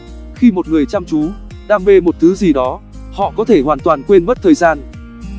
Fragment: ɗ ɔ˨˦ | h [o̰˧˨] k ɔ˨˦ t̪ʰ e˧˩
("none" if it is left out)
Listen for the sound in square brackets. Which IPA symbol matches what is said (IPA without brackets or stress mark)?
ɔ̰˧˨